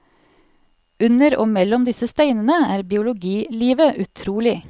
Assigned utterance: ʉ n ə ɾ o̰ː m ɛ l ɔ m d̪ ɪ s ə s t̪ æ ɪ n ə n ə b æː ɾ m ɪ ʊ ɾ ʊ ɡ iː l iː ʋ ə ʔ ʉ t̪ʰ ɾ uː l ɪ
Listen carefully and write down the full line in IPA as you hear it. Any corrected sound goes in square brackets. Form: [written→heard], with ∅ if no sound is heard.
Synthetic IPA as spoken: ʉ n ə ɾ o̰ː m ɛ l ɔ m d̪ ɪ s ə s t̪ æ ɪ n ə n ə [b→∅] æː ɾ [m→b] ɪ ʊ [ɾ→l] ʊ ɡ iː l iː ʋ ə ʔ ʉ t̪ʰ ɾ uː l ɪ